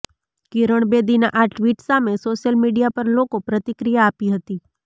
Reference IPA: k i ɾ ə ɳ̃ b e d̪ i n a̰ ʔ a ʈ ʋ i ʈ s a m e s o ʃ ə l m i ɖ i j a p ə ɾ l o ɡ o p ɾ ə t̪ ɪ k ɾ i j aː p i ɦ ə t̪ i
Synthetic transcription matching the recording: k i ɾ ə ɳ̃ b e d̪ i n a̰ ʔ a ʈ ʋ i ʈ s a m e s o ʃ ə l m i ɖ i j a p ə ɾ l o k o p ɾ ə t̪ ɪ k ɾ i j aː p i ɦ ə t̪ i